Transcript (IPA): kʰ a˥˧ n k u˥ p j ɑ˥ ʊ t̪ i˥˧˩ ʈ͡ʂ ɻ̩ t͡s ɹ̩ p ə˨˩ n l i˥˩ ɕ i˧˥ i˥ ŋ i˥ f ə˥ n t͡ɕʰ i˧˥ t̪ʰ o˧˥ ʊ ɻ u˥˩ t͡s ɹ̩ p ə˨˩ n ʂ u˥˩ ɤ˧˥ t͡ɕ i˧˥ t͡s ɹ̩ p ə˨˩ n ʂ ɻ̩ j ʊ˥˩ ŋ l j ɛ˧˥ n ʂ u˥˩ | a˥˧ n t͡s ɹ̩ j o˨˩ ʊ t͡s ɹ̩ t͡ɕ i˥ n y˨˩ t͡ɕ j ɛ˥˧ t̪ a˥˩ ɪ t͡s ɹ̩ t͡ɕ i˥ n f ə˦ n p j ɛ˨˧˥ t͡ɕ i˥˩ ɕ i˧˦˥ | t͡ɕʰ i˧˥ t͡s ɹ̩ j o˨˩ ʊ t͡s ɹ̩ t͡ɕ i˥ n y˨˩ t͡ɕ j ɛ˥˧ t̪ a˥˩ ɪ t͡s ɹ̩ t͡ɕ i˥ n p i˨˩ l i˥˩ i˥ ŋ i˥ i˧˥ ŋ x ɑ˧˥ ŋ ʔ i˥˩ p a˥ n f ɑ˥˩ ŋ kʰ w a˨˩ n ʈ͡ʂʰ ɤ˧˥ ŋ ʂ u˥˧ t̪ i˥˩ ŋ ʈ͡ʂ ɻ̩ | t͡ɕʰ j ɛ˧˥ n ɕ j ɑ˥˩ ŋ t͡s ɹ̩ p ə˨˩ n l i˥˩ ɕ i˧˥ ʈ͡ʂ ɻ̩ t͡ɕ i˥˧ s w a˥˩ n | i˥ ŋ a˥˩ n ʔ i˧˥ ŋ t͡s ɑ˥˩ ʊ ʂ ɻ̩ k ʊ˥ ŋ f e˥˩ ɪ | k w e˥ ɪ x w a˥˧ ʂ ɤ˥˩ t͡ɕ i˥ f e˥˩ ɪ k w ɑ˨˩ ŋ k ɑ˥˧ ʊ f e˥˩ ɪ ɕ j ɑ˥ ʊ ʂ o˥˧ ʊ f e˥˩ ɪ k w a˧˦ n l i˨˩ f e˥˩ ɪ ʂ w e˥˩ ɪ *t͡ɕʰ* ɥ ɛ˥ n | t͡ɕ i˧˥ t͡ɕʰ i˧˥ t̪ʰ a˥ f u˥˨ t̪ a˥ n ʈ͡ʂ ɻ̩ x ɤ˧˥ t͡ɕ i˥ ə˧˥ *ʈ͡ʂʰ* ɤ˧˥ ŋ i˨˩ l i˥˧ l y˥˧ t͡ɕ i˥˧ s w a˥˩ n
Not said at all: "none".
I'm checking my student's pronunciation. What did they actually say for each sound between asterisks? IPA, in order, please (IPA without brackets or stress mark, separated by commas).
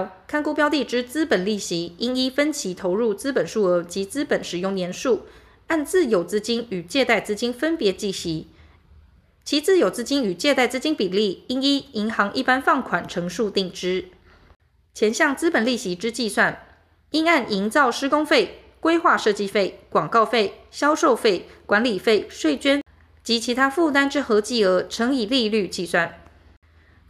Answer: t͡ɕ, ʈ͡ʂʰ